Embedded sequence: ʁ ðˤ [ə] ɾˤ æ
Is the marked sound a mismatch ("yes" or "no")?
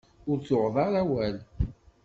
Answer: yes